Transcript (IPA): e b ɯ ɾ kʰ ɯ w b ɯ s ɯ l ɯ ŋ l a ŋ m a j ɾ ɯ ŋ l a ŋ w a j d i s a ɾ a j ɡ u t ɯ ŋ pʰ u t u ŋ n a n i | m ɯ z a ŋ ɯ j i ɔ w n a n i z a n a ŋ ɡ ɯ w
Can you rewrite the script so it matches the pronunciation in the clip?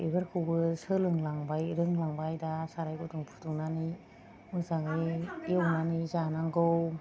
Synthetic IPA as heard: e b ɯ ɾ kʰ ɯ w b ɯ s ɯ l ɯ ŋ l a ŋ b a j ɾ ɯ ŋ l a ŋ b a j d a s a ɾ a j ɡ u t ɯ ŋ pʰ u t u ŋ n a n i | m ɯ z a ŋ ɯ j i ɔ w n a n i z a n a ŋ ɡ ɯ w